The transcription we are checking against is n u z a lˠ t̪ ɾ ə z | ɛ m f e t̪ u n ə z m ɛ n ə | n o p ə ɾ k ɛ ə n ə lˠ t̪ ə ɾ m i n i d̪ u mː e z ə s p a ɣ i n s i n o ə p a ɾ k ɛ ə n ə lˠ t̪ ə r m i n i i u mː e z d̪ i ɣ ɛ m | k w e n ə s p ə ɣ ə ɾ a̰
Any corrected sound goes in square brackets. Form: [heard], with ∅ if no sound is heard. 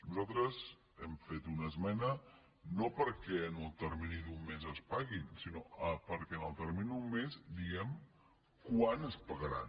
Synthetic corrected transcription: n u z a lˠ t̪ ɾ ə z | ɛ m f e t̪ u n ə z m ɛ n ə | n o p ə ɾ k ɛ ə n ə lˠ t̪ ə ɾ m i n i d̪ u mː e z ə s p a ɣ i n s i n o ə p [ə] ɾ k ɛ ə n ə lˠ t̪ ə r m i n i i u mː e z d̪ i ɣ ɛ m | k w [a] n ə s p ə ɣ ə ɾ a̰